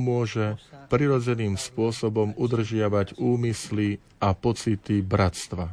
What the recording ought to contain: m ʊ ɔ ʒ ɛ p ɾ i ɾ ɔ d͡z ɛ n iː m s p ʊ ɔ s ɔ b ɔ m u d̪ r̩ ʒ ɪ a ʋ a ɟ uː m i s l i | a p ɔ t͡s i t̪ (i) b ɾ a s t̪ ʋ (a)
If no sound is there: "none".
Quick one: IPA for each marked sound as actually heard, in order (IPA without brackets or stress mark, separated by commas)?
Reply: i, a